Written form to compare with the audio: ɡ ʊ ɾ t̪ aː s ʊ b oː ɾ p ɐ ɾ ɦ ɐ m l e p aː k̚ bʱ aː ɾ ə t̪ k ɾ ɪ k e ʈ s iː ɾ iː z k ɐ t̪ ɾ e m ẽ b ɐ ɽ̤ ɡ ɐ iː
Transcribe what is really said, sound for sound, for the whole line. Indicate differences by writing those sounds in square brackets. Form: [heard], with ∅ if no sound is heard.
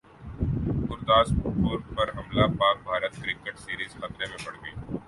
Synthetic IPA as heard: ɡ ʊ ɾ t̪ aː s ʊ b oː ɾ p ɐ ɾ ɦ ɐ m l [a] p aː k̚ bʱ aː ɾ ə t̪ k ɾ ɪ k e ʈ s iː ɾ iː z [x] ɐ t̪ ɾ e m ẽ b ɐ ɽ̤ ɡ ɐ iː